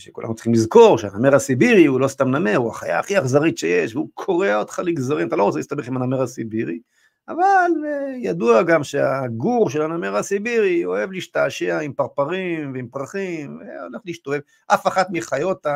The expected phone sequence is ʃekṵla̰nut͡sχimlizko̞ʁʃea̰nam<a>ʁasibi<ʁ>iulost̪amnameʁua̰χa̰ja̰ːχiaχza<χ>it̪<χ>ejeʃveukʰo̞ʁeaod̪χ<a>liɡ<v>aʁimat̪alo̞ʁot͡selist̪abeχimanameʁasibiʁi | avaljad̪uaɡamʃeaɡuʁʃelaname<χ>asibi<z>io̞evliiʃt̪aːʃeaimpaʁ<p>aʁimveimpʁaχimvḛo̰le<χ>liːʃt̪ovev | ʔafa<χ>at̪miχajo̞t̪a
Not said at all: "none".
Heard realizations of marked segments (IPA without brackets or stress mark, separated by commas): e, ʁ, ʁ, ʃ, a, z, ʁ, ʁ, p, χ, χ